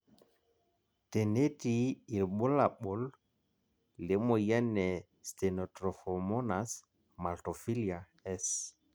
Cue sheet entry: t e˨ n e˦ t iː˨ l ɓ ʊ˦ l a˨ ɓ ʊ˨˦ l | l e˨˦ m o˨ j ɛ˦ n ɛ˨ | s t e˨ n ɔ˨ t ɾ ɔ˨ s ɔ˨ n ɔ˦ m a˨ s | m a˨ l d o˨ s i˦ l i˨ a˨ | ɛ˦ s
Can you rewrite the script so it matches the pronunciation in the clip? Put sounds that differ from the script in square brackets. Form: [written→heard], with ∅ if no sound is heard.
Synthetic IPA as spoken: t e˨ n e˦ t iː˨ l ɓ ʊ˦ l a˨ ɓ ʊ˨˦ l | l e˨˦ m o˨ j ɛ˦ n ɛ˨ | s t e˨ n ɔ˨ t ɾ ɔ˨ [s→f] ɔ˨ [n→m] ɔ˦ [m→n] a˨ s | m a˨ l [d→t] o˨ [s→f] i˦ l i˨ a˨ | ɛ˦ s